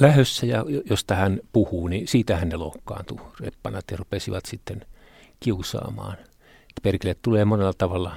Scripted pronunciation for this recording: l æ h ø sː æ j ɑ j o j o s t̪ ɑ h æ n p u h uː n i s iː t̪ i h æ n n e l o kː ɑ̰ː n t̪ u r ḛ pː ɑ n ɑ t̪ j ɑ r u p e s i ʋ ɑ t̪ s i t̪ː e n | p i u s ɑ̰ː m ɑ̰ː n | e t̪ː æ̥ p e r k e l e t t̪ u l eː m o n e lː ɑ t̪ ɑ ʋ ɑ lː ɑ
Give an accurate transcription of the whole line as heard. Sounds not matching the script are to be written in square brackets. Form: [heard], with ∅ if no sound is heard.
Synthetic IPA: l æ h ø sː æ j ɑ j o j o s t̪ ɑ h æ n p u h uː n i s iː t̪ [æ] h æ n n e l o kː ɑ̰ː n t̪ u r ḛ pː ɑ n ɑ t̪ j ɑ r u p e s i ʋ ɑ t̪ s i t̪ː e n | [k] i u s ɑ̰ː m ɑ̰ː n | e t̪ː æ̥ p e r k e l e t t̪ u l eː m o n e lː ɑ t̪ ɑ ʋ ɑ lː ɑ